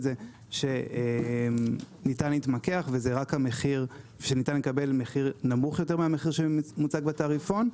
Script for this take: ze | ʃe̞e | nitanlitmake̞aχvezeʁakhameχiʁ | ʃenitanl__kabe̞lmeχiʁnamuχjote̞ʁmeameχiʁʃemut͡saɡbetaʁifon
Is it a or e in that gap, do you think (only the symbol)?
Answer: e